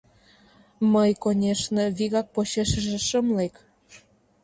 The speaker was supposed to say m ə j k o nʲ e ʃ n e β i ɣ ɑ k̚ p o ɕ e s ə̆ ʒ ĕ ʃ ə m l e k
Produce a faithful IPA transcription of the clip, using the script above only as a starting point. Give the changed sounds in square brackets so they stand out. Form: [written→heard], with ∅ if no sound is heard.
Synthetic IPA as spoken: m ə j k o nʲ e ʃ n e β i ɣ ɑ k̚ p o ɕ e [s→ʃ] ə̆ ʒ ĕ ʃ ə m l e k